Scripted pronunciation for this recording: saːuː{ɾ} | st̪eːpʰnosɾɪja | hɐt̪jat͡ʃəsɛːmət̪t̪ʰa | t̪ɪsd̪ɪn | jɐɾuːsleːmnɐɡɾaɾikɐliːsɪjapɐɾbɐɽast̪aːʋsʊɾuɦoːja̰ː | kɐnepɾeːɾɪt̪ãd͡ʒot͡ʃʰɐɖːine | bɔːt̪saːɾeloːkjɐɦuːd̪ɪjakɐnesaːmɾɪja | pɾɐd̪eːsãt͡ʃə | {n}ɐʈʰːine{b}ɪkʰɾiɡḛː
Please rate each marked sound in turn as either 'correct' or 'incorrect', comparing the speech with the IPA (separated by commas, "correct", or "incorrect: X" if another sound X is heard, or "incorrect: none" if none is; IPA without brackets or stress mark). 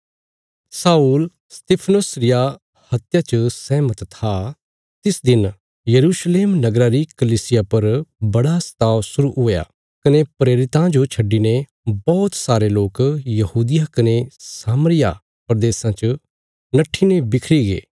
incorrect: l, correct, correct